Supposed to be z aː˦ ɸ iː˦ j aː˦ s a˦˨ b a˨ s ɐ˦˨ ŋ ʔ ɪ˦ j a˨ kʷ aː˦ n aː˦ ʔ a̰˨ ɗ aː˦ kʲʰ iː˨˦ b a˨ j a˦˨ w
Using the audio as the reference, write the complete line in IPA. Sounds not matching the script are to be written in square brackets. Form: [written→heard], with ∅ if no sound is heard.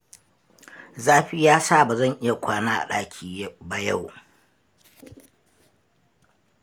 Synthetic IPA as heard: z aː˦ ɸ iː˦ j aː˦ s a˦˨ b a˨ [s→z] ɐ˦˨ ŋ ʔ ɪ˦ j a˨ kʷ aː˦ n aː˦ ʔ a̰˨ ɗ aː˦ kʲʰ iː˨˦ b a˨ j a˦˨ w